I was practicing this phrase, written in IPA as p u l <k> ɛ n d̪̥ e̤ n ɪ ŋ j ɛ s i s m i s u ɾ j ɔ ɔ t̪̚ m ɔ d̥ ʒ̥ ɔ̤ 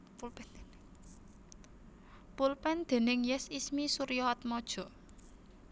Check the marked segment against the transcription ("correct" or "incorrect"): incorrect